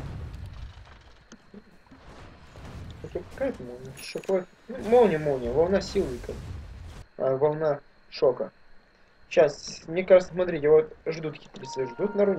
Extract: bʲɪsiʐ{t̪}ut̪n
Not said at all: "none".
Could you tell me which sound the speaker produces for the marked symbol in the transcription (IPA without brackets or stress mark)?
d̪